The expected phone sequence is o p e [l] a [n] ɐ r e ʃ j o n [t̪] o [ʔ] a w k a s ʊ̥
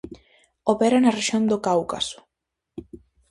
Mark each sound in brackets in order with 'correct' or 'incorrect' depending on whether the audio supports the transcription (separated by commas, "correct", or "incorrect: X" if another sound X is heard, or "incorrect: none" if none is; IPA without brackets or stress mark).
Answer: incorrect: ɾ, correct, incorrect: d̪, incorrect: k